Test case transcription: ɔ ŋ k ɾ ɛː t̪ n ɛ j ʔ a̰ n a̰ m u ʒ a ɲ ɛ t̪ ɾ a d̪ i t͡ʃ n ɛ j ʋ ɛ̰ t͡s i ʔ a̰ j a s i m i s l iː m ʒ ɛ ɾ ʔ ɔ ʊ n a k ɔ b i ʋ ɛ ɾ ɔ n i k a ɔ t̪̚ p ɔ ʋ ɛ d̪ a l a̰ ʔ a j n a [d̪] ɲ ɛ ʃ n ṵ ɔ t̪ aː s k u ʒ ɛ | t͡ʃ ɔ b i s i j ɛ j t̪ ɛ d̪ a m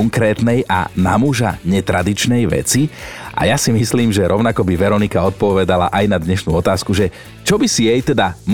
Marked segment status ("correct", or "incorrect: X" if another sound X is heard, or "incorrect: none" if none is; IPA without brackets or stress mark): correct